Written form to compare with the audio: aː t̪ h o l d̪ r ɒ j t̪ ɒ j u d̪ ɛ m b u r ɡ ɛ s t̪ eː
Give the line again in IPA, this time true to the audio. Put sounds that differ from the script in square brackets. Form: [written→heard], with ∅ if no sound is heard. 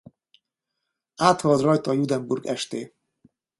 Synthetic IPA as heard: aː t̪ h [o→ɒ] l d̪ r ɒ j t̪ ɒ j u d̪ ɛ m b u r ɡ ɛ [s→ʃ] t̪ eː